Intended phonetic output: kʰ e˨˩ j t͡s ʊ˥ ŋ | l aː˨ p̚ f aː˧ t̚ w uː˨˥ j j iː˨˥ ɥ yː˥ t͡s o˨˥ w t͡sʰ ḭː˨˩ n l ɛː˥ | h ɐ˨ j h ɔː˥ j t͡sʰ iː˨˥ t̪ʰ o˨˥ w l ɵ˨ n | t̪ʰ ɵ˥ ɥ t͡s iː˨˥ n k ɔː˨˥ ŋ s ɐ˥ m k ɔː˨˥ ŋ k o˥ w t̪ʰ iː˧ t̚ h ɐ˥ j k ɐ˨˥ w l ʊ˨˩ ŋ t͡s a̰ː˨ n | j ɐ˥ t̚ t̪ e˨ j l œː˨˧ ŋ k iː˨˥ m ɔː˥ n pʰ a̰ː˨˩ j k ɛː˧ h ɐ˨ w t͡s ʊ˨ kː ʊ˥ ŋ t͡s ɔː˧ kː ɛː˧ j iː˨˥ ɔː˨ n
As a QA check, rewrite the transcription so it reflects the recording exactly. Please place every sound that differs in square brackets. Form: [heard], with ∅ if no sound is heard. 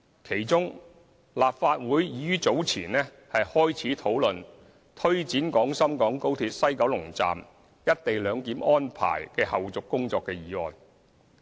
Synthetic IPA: kʰ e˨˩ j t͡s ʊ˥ ŋ | l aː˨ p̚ f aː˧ t̚ w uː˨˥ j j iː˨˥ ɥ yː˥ t͡s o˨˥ w t͡sʰ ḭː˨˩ n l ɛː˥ | h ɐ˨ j h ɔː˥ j t͡sʰ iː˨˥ t̪ʰ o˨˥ w l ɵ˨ n | t̪ʰ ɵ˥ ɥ t͡s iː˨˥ n k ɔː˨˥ ŋ s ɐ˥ m k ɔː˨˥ ŋ k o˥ w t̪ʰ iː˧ t̚ [s] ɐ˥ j k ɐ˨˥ w l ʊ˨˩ ŋ t͡s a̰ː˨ [m] | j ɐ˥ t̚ t̪ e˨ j l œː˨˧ ŋ k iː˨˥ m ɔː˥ n pʰ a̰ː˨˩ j k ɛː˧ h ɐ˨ w t͡s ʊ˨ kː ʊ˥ ŋ t͡s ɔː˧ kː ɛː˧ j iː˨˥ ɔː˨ n